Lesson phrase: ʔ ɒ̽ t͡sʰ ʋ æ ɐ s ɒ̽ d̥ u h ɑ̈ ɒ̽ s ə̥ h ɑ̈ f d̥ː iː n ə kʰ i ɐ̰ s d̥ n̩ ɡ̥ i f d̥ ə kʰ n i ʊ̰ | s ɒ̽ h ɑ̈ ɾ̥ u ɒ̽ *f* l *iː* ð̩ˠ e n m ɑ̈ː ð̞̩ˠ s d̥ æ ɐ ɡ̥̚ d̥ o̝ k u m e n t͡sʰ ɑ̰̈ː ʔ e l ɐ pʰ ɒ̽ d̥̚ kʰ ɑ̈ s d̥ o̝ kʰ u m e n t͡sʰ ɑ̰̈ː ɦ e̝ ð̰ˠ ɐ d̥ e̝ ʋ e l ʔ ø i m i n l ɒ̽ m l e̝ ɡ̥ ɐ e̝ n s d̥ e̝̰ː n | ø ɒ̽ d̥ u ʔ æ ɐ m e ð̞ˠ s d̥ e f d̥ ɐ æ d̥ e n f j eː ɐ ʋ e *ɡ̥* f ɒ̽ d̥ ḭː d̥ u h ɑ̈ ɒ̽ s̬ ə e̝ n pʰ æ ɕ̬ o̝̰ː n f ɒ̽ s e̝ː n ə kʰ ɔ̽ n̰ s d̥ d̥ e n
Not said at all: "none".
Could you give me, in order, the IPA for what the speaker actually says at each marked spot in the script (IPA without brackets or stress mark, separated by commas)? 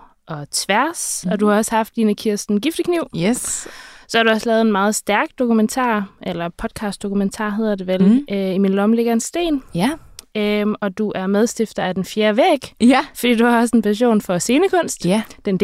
s, ɛː, ɡ̥